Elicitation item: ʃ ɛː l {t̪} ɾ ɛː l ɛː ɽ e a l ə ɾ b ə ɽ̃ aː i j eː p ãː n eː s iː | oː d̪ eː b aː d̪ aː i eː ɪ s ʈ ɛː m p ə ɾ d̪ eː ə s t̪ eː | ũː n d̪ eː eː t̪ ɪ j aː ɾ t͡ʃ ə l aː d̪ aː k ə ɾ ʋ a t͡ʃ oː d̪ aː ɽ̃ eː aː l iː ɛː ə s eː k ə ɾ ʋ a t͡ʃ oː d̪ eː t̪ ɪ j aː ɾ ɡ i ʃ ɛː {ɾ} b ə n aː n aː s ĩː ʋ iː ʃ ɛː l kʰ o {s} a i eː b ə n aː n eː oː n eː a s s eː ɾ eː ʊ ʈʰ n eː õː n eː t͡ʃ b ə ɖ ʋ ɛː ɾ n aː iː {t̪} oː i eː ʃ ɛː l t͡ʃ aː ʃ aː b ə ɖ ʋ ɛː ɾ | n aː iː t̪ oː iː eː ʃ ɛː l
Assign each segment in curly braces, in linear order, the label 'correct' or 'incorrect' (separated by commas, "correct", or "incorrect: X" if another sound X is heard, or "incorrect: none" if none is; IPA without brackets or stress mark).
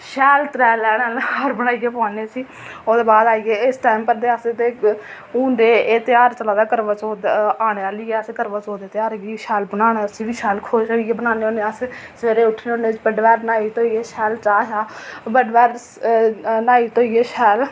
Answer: correct, incorrect: l, incorrect: ʃ, correct